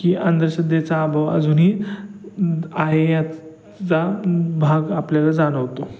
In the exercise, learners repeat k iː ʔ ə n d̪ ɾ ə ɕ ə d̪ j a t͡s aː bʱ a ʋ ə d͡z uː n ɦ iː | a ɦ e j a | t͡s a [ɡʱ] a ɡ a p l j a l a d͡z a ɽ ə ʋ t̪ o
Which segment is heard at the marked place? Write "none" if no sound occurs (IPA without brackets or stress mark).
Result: bʱ